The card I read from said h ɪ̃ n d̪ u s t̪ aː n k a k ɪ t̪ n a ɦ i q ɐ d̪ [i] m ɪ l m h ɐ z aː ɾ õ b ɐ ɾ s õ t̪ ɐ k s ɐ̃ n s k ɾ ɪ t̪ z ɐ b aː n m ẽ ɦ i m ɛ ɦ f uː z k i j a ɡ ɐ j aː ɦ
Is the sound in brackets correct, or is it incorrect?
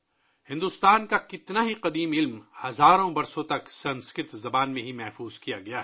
incorrect